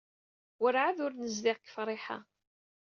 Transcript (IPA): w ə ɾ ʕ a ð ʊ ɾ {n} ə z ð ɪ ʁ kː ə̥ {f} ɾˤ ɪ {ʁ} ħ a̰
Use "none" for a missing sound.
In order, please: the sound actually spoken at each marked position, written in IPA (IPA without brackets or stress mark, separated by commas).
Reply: n, f, none